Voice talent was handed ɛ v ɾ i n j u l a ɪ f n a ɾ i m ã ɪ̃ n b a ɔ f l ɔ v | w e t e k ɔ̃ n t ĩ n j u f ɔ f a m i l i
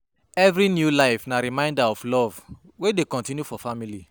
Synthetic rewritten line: ɛ v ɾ i n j u l a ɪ f n a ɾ i m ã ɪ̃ n d a ɔ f l ɔ v | w e d e k ɔ̃ n t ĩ n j u f ɔ f a m i l i